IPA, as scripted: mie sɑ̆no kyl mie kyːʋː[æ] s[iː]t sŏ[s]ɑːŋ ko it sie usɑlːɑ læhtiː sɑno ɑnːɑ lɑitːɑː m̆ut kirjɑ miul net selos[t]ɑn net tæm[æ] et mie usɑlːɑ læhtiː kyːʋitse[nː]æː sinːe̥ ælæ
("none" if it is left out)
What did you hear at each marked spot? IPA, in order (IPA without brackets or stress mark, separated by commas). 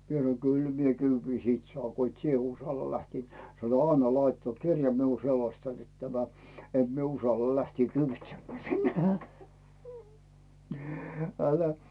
i, iː, none, t, æ, mː